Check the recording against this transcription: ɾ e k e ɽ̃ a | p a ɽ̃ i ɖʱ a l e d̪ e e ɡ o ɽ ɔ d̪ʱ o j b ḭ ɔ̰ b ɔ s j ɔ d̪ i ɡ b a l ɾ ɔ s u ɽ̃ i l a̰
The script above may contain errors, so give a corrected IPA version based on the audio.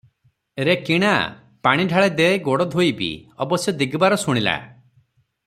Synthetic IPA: ɾ e k i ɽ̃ a | p a ɽ̃ i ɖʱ a ɭ e d̪ e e ɡ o ɽ ɔ d̪ʱ o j b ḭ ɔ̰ b ɔ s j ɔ d̪ i ɡ b a ɾ ɔ s u ɽ̃ i l a̰